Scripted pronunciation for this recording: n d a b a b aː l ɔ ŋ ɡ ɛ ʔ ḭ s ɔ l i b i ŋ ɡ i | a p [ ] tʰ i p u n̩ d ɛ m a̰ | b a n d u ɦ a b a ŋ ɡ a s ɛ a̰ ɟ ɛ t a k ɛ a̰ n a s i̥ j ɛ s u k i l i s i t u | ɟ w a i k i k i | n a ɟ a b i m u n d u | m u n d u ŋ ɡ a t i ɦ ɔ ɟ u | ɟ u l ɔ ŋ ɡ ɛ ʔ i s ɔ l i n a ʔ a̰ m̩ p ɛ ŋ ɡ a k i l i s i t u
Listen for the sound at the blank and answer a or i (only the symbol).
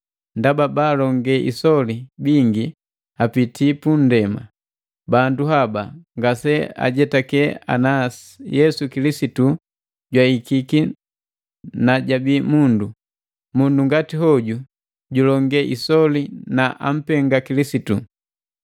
i